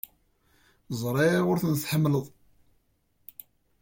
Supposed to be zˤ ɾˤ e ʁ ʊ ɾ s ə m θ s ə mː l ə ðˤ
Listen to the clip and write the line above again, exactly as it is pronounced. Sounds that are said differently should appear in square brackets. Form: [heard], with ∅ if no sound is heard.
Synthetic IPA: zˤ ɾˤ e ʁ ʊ ɾ [θ] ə [n] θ [ħ] ə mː l ə ðˤ